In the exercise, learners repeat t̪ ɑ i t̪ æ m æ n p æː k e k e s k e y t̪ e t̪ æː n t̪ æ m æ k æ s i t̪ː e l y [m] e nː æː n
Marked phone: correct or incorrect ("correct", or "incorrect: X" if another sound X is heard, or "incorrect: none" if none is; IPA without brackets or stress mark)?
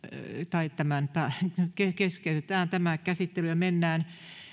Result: correct